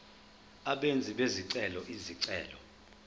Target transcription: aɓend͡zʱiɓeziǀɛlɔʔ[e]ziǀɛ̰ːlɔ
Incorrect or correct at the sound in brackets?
incorrect: i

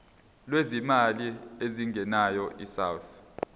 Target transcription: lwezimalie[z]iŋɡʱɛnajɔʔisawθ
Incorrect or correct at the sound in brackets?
correct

